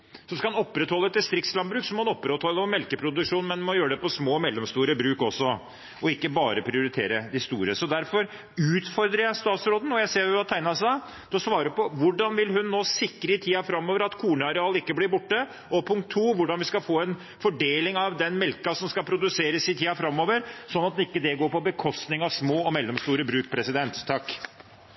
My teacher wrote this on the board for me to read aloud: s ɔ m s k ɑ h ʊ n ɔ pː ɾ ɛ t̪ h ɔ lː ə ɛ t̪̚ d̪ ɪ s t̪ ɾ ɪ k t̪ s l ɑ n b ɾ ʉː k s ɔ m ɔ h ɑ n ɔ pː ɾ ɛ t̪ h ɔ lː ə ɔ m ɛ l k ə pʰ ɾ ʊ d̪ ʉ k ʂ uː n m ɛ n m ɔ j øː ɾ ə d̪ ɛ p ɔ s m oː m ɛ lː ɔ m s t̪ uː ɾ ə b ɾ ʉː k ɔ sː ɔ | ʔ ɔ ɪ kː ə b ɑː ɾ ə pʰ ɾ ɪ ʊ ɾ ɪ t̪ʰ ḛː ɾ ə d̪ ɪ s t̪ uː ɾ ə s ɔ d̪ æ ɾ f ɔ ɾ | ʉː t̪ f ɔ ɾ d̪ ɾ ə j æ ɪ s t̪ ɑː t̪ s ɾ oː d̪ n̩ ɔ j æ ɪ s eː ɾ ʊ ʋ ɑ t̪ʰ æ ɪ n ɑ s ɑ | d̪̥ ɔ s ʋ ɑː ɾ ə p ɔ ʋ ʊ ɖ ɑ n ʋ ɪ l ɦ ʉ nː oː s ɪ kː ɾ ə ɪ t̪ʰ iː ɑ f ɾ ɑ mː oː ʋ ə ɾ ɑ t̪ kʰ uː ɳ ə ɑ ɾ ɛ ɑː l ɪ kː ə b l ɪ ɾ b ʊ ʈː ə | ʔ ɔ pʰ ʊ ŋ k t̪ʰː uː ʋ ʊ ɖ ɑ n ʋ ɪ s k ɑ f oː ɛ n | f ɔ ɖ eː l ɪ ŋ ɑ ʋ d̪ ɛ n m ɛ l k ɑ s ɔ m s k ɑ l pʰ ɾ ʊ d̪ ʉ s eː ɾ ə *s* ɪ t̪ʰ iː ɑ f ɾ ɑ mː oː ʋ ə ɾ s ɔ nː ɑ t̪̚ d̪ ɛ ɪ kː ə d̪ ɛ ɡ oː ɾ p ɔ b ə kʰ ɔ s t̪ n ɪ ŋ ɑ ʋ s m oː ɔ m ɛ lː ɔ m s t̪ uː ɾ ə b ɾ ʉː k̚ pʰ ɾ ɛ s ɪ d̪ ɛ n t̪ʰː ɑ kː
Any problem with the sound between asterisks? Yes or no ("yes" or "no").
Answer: no